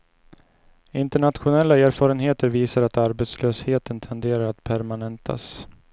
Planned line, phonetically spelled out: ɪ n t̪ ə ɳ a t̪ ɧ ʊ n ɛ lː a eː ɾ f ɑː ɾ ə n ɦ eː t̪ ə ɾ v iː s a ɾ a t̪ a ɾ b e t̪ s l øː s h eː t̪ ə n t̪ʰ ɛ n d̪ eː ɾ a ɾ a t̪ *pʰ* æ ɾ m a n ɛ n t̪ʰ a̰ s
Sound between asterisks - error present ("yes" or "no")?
no